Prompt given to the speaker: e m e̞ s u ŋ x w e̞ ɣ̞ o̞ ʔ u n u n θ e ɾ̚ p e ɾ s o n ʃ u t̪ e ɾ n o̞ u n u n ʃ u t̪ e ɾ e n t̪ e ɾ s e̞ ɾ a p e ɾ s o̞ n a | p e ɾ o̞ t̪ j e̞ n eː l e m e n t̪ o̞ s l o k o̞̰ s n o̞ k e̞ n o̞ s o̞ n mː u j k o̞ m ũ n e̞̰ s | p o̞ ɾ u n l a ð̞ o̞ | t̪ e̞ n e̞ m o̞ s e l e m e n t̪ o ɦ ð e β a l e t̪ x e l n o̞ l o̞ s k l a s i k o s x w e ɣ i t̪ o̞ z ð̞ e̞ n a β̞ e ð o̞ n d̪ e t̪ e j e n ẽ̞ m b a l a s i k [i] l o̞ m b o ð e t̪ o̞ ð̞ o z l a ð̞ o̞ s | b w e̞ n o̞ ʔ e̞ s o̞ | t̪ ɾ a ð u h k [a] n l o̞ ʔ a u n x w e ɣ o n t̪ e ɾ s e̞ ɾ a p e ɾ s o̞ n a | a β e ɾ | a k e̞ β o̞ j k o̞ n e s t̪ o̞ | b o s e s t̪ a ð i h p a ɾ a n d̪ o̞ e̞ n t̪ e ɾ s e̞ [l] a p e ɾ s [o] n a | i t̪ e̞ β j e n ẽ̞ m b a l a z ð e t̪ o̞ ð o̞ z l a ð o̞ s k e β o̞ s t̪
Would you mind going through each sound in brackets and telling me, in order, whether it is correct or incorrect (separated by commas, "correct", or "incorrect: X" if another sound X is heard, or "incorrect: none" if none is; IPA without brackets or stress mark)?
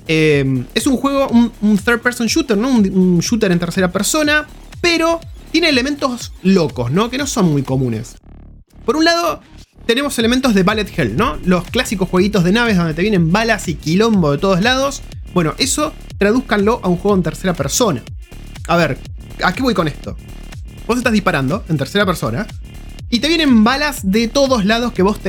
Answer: correct, correct, incorrect: ɾ, correct